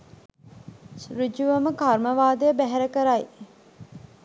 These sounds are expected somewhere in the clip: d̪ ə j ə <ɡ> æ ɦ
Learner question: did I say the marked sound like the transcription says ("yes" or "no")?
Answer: no